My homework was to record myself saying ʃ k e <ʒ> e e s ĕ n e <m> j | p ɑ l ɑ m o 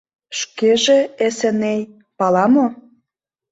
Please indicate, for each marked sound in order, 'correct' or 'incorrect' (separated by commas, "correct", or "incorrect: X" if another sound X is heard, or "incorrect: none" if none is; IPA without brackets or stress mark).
correct, incorrect: none